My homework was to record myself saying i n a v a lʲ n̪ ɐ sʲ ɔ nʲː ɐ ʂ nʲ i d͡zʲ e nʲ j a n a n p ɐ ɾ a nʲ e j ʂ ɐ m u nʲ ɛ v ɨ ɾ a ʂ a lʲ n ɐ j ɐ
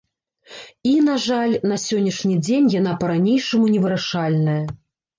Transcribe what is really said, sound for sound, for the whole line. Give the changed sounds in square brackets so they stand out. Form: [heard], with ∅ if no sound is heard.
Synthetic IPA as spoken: i n a [ʐ] a lʲ n̪ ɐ sʲ ɔ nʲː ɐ ʂ nʲ i d͡zʲ e nʲ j a n a [∅] p ɐ ɾ a nʲ e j ʂ ɐ m u nʲ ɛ v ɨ ɾ a ʂ a lʲ n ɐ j ɐ